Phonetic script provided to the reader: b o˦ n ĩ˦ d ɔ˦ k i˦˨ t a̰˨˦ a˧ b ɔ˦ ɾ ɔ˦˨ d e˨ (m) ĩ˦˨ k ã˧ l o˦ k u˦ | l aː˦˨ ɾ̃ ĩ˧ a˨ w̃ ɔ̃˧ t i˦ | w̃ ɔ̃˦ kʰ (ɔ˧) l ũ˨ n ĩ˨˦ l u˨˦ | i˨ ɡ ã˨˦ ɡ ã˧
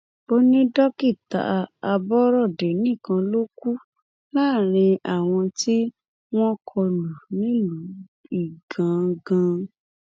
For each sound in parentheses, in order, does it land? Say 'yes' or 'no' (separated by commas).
no, yes